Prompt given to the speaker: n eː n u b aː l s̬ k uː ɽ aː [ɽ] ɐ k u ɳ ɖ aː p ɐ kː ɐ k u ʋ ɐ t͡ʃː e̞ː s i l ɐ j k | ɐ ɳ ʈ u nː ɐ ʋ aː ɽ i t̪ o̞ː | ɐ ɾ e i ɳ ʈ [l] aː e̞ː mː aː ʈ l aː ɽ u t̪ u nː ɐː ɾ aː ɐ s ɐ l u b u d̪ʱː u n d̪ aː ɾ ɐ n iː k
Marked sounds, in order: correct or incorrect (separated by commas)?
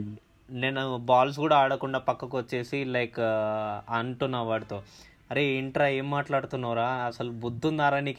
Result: correct, incorrect